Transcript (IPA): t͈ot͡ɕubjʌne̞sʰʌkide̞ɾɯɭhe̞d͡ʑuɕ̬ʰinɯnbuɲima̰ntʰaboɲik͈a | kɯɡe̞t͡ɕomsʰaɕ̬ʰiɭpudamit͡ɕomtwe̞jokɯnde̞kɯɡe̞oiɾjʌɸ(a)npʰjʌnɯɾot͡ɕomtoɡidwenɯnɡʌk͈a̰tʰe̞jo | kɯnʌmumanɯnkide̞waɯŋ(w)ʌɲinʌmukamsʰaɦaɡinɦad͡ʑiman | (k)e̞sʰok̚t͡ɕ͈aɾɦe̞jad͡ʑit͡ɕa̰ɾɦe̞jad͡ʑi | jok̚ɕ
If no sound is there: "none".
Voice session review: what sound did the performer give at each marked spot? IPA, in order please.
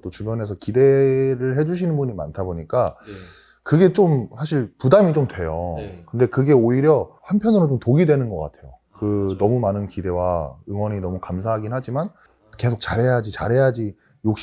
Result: a, w, k

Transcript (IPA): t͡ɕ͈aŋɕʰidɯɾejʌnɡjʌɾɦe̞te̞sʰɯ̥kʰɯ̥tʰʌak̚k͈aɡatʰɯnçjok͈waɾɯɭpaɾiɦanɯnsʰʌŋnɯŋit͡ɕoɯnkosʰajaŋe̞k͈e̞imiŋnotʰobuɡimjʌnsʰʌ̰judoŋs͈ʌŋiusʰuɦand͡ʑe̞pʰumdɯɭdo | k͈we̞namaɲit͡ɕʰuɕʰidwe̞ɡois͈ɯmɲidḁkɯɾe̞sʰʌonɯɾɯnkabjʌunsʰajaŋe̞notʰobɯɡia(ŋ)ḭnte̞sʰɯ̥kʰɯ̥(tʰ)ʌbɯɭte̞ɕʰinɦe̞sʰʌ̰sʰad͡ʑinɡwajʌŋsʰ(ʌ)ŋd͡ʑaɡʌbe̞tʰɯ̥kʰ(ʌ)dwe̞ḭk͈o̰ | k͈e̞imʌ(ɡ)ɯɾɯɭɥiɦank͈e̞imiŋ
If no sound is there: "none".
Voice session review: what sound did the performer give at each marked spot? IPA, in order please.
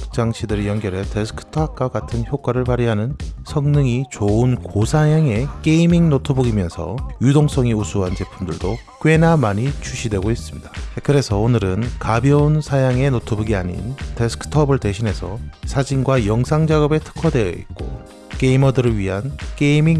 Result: ɲ, tʰ, a, ʌ, d

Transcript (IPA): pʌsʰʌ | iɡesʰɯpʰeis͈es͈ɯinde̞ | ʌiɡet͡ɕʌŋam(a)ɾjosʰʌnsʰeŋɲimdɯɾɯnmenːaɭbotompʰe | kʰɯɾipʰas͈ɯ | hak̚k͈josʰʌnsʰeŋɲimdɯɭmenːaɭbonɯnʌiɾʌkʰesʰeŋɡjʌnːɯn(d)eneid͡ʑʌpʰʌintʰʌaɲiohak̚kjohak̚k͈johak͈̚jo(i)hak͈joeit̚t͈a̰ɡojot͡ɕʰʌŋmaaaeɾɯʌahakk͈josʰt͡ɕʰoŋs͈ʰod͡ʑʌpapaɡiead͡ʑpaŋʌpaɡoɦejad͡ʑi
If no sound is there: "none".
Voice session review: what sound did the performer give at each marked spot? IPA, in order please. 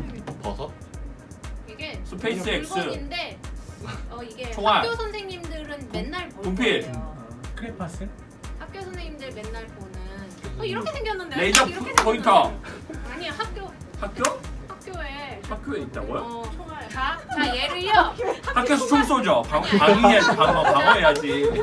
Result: a, d, e

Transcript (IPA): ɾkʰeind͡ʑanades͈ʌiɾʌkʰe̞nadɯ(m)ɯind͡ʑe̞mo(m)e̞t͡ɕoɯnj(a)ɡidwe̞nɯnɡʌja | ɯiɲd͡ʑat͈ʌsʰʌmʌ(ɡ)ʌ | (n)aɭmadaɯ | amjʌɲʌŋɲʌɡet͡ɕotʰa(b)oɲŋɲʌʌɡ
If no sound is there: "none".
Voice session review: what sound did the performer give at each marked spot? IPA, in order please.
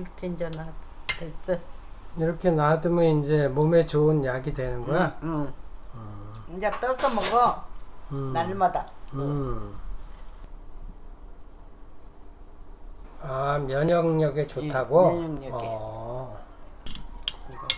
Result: m, m, a, ɡ, n, ɡ

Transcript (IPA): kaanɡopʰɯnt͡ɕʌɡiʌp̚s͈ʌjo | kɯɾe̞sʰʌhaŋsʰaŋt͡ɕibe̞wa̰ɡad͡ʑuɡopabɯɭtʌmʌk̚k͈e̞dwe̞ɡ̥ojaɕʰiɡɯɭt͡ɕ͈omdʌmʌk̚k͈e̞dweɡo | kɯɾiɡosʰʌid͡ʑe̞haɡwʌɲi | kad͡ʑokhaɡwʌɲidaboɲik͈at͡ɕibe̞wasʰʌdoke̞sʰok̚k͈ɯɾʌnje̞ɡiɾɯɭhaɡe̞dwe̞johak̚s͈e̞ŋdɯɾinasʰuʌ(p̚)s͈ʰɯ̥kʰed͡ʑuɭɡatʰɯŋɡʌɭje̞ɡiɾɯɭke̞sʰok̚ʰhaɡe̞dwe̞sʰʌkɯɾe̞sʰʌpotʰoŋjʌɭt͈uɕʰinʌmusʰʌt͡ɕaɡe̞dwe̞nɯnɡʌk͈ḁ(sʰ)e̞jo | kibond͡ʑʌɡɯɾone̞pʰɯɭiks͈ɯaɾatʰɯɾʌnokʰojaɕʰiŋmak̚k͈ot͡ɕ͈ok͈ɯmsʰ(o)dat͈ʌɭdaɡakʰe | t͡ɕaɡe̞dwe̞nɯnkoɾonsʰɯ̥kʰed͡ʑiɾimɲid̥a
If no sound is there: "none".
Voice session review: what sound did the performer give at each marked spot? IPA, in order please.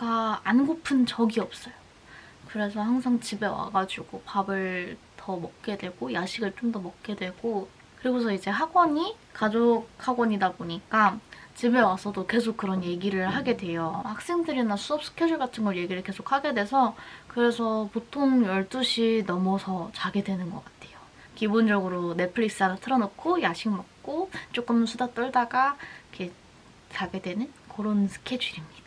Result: p̚, tʰ, u

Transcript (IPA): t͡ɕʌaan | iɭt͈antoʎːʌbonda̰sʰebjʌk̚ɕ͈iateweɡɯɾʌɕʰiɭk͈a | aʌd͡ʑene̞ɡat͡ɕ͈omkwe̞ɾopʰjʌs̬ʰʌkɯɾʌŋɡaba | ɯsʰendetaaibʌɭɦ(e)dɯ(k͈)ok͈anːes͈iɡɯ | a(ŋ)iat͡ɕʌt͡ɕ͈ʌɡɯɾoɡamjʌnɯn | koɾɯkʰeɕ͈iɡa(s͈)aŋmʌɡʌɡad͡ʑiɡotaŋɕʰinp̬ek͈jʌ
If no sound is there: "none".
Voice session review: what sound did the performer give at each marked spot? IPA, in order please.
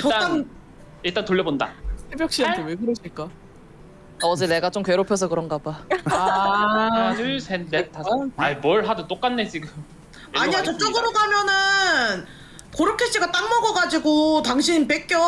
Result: a, t͈, ɲ, t͈

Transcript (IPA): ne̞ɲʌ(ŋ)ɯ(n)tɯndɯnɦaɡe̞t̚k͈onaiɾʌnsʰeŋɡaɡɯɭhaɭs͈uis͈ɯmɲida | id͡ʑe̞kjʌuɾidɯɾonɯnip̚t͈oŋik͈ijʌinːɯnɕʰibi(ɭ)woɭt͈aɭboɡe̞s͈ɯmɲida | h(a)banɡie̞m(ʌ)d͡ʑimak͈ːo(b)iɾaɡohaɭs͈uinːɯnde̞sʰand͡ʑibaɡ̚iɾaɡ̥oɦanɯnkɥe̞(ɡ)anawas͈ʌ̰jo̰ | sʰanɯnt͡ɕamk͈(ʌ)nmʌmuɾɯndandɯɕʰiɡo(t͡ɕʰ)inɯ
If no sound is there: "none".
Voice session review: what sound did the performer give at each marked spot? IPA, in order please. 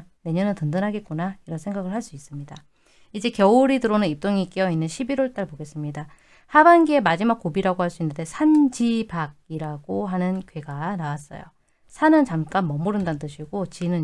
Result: n, n, ɾ, a, a, b, ɡ, a, t͡ɕ

